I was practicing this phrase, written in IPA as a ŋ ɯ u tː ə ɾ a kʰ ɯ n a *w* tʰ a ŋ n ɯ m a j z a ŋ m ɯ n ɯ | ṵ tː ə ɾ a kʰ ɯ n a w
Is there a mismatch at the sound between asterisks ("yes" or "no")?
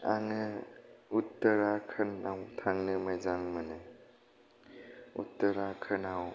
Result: no